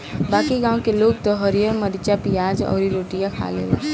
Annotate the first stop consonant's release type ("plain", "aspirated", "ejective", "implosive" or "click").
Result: plain